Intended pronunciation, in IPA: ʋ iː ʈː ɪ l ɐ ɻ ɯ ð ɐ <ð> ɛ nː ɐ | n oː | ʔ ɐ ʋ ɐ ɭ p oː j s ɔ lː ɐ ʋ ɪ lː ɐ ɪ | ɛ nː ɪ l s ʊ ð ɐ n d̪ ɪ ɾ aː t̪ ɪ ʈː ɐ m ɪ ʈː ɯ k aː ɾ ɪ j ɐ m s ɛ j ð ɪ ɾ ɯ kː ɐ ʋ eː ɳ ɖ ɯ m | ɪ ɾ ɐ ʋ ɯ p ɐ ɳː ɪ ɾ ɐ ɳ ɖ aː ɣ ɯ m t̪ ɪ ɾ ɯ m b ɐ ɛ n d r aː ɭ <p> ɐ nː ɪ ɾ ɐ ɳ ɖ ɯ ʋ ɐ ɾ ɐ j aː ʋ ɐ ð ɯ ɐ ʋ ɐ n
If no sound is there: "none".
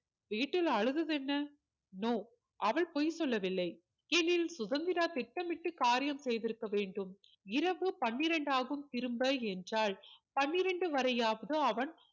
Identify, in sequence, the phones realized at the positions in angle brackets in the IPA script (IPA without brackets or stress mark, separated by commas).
ð, p